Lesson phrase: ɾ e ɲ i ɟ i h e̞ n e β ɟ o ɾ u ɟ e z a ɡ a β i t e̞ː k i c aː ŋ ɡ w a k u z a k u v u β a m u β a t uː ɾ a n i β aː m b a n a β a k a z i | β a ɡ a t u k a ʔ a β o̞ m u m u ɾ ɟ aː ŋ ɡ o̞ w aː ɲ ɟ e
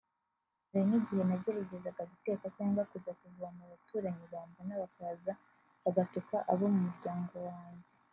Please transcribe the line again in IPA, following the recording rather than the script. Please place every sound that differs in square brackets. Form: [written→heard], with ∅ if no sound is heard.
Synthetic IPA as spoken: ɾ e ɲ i ɟ i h e̞ n [e→a] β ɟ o ɾ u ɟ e z a ɡ a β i t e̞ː k [i→a] c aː ŋ ɡ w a k u z a k u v u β a m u β a t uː ɾ a [n→ɲ] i β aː m b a n a β a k a z [i→a] | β a ɡ a t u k a ʔ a β o̞ m u m u ɾ ɟ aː ŋ ɡ o̞ w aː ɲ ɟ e